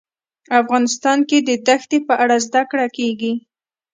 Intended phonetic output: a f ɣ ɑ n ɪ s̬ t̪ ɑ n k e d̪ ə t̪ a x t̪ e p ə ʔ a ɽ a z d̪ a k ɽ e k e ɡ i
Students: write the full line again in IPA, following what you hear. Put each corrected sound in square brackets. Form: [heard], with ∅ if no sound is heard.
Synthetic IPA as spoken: a f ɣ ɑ n ɪ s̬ t̪ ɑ n k e d̪ ə [d̪] a x t̪ e p ə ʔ a ɽ a z d̪ a k ɽ [a] k e ɡ i